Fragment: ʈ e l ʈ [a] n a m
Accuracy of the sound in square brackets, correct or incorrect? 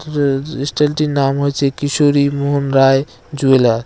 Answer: incorrect